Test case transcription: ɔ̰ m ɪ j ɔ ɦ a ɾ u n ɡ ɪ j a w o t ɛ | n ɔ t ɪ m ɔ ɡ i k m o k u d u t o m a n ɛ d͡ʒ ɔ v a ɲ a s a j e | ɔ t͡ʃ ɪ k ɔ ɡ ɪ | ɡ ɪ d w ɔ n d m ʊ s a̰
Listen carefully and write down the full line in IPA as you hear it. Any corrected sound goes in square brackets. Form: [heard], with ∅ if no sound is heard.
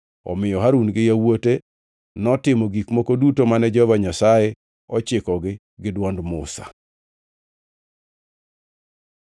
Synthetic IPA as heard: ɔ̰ m ɪ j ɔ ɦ a ɾ u n ɡ ɪ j a w o t [e] | n ɔ t ɪ m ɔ ɡ i k m o k [o] d u t o m a n ɛ d͡ʒ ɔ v a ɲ a s a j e | ɔ t͡ʃ ɪ k ɔ ɡ ɪ | ɡ ɪ d w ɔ n d m ʊ s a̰